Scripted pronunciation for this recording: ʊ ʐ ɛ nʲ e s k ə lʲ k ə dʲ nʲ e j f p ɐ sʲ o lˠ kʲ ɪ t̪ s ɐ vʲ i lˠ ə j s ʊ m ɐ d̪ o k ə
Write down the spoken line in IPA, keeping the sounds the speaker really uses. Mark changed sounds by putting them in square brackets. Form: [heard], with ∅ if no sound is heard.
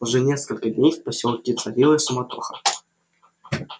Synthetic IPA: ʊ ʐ ɛ nʲ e s k ə lʲ k ə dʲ nʲ e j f p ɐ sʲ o lˠ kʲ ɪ t̪ s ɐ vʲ i lˠ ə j s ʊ m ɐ [t̪] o [x] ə